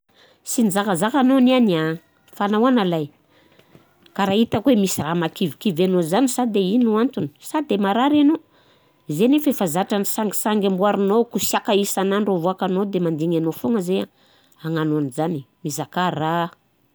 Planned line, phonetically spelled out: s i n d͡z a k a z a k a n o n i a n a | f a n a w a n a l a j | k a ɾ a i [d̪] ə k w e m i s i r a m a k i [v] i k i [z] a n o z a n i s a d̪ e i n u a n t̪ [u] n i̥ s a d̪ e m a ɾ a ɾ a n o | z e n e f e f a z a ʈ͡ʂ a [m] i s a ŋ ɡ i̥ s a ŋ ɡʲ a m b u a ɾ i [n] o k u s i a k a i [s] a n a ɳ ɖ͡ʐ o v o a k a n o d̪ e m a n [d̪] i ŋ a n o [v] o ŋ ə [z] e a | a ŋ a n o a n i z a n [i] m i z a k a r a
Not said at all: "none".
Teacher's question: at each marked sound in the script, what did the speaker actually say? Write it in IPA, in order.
t̪, v, v, u, n, n, s, d̪, f, z, i

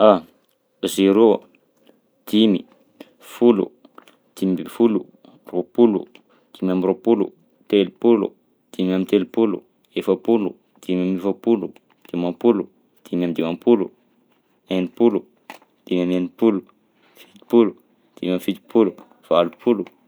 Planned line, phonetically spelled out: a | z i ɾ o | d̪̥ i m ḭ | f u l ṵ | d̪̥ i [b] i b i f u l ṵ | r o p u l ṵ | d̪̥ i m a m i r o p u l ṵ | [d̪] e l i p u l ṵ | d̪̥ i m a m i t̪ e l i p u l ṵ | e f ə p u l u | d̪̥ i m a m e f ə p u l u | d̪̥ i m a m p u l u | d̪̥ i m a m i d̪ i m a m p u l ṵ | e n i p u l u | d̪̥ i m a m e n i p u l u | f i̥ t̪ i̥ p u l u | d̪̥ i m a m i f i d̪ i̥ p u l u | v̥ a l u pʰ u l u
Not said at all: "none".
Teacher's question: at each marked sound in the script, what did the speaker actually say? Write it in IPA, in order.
m, t̪

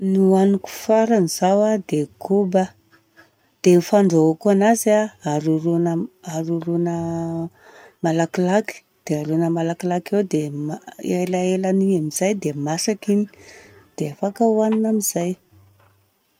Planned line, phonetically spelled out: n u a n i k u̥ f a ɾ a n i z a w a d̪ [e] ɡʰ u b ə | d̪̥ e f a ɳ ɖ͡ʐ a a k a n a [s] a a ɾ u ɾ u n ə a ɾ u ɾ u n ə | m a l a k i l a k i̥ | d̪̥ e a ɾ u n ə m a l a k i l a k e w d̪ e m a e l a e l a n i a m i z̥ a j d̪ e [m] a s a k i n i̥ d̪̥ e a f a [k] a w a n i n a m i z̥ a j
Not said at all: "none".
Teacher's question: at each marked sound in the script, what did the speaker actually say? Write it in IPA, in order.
e, z, m, k

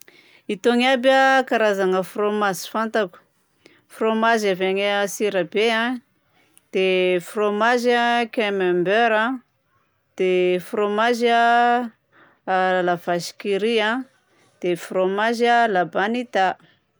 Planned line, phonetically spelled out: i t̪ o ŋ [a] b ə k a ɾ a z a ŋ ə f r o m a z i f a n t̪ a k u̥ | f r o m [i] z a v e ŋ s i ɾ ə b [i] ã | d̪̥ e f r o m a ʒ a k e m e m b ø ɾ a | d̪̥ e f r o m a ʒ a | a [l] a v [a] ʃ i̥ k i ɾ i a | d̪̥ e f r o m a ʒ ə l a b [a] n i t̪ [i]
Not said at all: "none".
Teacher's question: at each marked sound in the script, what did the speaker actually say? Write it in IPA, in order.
a, a, e, l, a, a, a

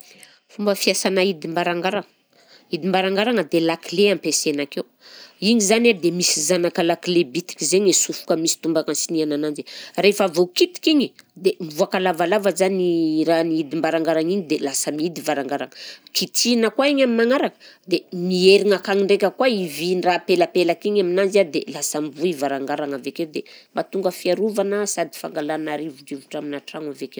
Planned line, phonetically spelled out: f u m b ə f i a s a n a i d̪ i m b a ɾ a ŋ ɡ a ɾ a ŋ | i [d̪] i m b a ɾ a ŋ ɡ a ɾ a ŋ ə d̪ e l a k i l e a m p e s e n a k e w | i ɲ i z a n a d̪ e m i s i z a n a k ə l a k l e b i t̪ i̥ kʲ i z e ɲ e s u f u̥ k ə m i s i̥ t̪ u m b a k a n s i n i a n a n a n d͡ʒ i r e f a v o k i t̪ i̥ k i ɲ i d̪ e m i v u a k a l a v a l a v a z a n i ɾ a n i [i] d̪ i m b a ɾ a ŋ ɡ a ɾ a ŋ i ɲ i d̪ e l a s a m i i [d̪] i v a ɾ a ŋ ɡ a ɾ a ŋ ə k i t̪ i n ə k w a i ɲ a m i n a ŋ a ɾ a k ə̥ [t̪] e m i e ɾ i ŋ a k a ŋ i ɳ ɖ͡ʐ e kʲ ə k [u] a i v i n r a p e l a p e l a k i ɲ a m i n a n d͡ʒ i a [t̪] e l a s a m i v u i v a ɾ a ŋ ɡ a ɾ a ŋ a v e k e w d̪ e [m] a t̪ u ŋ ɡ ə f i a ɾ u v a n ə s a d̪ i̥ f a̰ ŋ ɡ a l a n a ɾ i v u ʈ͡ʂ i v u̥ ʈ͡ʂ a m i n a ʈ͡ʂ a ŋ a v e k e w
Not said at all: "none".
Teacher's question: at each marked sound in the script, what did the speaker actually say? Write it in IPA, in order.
d̪, i, d̪, d̪, w, d̪, m

